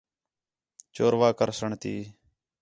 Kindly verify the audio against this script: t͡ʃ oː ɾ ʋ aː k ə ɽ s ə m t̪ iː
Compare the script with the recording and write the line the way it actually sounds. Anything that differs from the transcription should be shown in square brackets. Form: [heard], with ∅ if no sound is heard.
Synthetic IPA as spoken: t͡ʃ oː ɾ ʋ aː k ə [ɾ] s ə [ɳ] t̪ iː